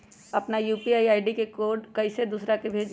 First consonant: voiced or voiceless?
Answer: voiceless